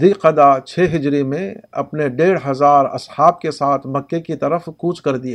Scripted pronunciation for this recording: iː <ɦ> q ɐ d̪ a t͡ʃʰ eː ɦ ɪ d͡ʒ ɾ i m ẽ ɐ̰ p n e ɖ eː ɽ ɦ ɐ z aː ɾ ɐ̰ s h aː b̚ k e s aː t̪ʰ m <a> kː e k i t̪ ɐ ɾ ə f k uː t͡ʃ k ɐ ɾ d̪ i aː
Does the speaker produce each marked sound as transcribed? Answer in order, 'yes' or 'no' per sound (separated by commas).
no, no